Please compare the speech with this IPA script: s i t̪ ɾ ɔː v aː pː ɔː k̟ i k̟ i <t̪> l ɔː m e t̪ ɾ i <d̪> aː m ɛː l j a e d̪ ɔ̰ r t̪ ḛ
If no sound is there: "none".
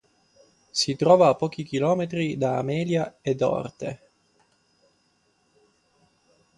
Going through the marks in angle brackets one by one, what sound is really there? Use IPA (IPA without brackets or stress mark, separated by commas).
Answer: none, d̪